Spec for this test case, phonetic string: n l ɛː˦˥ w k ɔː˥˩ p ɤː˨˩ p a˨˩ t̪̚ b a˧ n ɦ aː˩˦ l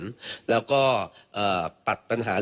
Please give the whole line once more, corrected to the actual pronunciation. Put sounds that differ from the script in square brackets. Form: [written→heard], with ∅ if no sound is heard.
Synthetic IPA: n l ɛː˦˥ w k ɔː˥˩ [p→ʔ] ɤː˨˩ p a˨˩ t̪̚ [b→p] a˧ n ɦ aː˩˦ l